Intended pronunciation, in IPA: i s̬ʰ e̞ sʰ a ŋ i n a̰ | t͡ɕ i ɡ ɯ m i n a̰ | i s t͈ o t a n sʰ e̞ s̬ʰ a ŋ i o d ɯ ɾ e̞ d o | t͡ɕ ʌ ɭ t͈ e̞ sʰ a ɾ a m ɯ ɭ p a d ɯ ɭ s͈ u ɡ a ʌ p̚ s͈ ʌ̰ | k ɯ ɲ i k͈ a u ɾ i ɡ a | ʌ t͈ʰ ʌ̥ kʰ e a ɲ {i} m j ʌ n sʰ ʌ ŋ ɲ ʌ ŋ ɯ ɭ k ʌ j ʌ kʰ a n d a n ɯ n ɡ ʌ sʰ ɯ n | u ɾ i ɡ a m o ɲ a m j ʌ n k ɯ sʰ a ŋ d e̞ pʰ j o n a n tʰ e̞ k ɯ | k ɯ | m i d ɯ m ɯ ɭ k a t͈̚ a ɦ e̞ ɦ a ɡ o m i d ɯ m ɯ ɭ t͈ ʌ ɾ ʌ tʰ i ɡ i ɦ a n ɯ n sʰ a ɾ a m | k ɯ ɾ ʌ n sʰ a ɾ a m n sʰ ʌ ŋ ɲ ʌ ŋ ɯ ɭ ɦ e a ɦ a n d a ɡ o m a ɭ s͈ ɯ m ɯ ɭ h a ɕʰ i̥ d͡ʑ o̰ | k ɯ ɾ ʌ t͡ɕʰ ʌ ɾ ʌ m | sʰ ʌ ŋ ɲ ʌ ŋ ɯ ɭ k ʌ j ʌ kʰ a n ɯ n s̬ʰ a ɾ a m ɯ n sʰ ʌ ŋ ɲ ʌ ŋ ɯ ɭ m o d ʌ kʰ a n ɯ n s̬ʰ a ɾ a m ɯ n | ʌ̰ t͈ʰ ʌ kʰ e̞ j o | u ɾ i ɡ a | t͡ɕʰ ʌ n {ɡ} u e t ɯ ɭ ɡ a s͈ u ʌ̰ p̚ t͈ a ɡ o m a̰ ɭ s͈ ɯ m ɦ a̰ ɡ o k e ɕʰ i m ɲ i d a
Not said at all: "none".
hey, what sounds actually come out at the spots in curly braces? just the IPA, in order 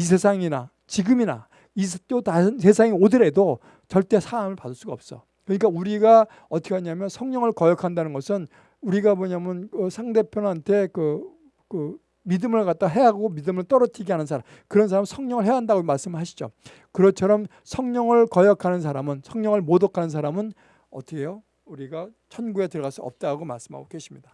a, ɡ

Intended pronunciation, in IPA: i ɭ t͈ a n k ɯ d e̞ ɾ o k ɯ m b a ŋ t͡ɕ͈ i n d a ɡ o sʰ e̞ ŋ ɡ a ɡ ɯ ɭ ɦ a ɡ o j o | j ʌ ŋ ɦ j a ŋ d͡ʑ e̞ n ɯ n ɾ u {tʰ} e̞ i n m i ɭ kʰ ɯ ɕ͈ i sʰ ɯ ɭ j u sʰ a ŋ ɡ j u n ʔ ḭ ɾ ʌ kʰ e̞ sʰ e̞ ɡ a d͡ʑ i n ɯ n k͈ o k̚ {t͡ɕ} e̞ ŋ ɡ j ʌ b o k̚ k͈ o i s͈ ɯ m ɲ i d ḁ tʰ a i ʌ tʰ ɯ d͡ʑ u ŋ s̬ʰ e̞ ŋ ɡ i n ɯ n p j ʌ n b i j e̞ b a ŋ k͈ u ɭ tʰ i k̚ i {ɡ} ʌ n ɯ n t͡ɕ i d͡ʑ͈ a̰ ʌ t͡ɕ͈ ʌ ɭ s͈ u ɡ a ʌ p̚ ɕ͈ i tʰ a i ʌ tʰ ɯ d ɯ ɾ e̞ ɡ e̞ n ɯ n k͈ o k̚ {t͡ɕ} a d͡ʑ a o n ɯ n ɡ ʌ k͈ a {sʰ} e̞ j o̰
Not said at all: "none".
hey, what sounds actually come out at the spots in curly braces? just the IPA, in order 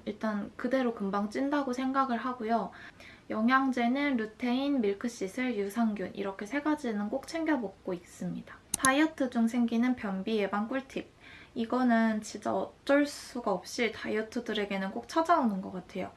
tʰ, t͡ɕʰ, ɡ, t͡ɕʰ, tʰ

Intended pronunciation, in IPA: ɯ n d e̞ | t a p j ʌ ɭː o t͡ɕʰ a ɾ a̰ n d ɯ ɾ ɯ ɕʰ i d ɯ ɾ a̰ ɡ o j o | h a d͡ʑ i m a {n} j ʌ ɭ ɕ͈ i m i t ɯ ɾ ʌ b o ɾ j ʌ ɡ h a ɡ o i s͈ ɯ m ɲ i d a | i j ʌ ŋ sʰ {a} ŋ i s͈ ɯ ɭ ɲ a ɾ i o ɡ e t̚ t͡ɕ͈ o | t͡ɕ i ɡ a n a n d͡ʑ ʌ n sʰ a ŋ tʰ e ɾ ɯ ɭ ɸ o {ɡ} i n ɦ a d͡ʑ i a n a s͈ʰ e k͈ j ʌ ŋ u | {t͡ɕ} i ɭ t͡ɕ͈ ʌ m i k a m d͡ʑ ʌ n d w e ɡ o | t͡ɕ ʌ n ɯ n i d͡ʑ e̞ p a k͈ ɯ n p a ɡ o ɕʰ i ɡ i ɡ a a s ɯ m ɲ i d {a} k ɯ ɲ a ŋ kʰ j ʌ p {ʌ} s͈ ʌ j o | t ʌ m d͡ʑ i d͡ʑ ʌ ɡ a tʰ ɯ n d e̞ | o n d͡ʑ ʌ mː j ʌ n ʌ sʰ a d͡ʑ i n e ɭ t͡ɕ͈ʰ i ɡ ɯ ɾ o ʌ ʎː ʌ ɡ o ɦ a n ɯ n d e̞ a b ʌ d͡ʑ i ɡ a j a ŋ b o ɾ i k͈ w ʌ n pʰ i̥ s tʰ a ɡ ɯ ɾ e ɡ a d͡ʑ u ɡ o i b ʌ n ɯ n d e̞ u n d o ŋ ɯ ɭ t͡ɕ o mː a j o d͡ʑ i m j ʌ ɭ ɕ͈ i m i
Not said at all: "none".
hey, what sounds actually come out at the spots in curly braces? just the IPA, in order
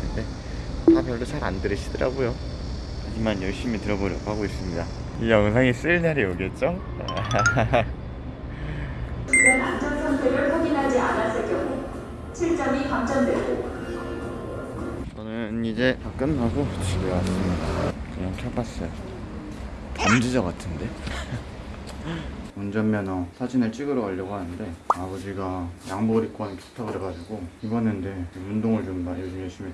n, a, ɡ, t͡ɕʰ, a, a

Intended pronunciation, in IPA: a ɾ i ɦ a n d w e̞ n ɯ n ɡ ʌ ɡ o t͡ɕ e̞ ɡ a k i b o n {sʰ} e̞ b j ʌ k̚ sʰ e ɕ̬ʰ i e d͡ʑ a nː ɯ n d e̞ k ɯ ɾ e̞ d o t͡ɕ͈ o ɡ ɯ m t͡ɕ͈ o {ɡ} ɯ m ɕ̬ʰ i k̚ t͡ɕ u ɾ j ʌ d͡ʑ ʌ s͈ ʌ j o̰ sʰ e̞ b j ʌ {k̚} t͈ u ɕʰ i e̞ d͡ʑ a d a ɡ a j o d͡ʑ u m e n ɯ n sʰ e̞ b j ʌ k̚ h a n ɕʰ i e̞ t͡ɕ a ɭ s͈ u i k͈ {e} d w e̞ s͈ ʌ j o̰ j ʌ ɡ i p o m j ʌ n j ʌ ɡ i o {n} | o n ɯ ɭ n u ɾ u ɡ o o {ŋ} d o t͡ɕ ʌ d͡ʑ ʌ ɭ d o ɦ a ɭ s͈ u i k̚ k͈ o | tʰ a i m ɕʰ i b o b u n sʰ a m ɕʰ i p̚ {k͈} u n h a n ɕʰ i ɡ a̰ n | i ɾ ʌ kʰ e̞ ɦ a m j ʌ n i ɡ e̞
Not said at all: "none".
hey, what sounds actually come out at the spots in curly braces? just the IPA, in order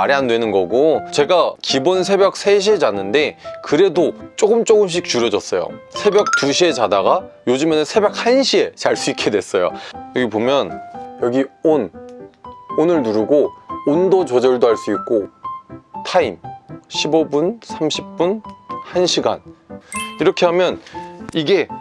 sʰ, ɡ, k̚, e, n, n, p͈

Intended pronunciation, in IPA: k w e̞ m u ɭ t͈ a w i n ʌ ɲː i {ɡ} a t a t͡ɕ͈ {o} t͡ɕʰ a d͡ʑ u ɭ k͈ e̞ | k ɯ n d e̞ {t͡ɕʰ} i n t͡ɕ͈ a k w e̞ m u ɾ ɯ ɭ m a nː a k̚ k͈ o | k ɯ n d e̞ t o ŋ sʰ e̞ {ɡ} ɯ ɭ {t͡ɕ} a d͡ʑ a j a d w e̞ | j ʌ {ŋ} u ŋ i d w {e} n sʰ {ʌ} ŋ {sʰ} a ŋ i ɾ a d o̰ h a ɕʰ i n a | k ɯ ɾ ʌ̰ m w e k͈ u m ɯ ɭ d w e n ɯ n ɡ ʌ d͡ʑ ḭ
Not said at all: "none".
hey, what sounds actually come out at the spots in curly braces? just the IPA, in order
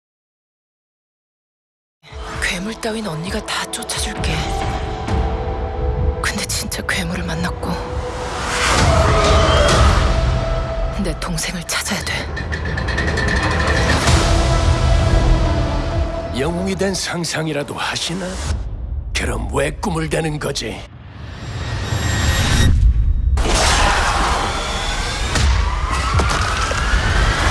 ɡ, o, t͡ɕ, ŋ, t͡ɕʰ, ŋ, e, a, sʰ

